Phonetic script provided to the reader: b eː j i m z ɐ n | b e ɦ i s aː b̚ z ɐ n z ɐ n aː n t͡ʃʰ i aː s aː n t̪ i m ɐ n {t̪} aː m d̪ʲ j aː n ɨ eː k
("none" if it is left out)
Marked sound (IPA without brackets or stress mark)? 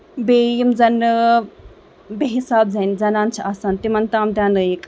t̪